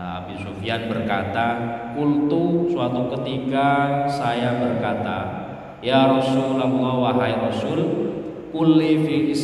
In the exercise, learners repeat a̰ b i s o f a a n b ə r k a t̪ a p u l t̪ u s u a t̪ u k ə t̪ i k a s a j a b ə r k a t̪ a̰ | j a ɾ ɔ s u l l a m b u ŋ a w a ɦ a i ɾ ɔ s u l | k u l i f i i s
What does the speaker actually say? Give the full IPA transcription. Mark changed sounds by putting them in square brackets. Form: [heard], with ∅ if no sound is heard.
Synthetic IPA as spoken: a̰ b i s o f [i] a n b ə r k a t̪ a [k] u l t̪ u s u a t̪ u k ə t̪ i k a s a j a b ə r k a t̪ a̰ | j a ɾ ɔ s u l l a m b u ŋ a w a ɦ a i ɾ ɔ s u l | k u l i f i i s